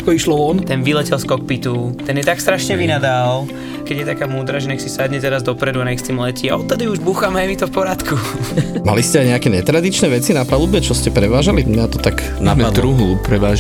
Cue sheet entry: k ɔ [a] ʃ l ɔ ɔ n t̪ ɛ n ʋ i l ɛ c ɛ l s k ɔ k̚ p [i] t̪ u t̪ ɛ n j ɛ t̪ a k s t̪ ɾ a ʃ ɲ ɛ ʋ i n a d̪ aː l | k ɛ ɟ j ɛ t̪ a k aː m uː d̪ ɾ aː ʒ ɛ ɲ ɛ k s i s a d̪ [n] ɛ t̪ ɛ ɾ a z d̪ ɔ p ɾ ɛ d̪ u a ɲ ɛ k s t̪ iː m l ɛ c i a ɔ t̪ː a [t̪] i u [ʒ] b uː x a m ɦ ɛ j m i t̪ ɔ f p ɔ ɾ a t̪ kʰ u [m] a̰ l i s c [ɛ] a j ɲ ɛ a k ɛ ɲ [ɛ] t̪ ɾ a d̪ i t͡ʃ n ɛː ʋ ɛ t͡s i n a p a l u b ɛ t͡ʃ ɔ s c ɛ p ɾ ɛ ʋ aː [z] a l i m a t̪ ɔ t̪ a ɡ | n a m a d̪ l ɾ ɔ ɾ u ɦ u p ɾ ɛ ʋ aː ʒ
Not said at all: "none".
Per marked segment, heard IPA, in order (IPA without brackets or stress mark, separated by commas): i, i, ɲ, d̪, ʒ, m, ɛ, ɛ, ʒ